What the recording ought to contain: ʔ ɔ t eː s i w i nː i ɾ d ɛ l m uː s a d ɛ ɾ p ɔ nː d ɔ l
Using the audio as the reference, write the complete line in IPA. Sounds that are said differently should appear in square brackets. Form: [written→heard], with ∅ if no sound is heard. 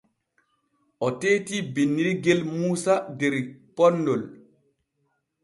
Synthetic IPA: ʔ ɔ t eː [s→t] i [w→b] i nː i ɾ [d→ɡ] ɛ l m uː s a d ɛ ɾ p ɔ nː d ɔ l